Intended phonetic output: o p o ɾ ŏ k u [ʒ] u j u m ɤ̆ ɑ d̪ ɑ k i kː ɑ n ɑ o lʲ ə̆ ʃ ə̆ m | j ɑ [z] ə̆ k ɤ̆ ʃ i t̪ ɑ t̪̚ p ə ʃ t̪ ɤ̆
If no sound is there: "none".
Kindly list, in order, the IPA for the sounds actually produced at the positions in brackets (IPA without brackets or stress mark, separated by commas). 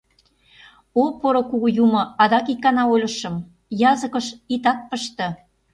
ɣ, z